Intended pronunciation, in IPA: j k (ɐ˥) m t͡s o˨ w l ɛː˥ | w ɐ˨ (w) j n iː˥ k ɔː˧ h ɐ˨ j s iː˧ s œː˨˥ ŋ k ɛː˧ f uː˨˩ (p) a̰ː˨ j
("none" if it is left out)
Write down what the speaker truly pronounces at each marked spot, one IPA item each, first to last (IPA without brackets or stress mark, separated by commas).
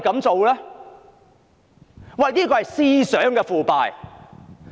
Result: ɐ˨˥, none, p